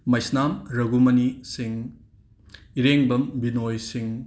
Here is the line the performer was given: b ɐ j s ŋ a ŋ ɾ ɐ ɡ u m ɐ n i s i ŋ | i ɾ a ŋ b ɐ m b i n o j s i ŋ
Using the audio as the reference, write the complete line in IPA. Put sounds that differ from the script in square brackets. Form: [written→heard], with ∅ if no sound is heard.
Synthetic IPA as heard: [b→m] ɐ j s [ŋ→n] a [ŋ→m] ɾ ɐ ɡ u m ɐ n i s i ŋ | i ɾ [a→e] ŋ b ɐ m b i n o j s i ŋ